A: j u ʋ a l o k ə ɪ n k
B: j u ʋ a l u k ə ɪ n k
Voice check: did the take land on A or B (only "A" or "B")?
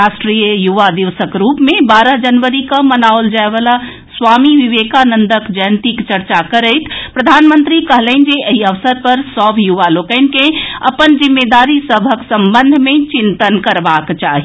A